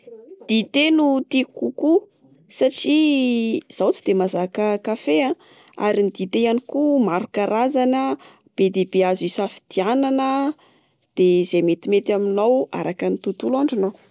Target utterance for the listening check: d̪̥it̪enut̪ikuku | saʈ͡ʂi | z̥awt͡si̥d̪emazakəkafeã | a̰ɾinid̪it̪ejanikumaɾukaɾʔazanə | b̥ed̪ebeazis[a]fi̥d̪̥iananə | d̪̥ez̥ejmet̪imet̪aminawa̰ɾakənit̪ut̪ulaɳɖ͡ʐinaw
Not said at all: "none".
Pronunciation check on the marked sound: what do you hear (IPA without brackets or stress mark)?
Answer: a